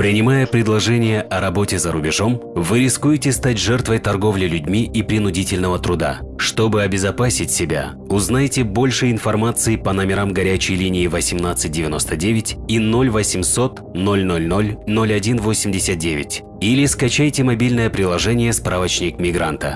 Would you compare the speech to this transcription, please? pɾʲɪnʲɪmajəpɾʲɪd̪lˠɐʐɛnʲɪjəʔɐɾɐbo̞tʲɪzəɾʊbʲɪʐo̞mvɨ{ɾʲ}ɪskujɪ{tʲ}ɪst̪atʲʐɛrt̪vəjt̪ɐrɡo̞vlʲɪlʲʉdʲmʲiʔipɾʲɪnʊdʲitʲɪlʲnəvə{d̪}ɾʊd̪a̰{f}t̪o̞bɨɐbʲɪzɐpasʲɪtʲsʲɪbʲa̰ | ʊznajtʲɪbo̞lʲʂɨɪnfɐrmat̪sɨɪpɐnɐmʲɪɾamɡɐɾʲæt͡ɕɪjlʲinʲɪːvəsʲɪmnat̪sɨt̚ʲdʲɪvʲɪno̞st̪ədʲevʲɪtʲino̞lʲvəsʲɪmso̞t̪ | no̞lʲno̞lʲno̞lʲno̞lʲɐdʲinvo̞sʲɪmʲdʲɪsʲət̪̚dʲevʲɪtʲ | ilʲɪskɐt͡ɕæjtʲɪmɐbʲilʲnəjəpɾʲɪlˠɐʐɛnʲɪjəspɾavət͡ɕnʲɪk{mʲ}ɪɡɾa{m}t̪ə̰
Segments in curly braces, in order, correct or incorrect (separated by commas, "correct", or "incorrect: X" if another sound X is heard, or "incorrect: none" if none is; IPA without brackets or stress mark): correct, correct, incorrect: t̪, incorrect: ʂ, correct, incorrect: n